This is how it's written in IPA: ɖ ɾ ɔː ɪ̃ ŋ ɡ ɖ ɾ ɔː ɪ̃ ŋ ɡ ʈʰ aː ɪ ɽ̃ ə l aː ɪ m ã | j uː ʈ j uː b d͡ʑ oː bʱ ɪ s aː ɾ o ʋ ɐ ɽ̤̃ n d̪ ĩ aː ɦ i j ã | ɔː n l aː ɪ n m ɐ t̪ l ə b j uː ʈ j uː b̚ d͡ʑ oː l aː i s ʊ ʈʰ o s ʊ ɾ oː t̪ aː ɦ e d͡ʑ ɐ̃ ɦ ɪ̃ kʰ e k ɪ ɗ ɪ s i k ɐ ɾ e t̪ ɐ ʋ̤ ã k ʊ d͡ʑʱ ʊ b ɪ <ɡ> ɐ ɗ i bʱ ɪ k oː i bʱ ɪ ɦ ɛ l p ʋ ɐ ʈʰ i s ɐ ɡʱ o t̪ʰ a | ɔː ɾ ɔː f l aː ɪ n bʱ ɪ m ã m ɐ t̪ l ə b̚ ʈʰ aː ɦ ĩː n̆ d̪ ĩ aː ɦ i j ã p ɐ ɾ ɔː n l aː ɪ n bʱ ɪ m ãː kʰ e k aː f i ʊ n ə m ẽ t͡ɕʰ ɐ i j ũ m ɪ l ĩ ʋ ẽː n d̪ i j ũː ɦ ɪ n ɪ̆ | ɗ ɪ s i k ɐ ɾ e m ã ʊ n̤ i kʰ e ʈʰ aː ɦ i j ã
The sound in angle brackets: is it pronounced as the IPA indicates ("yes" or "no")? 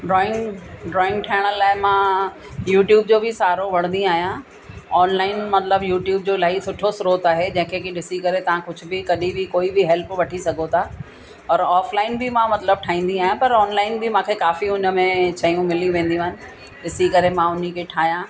no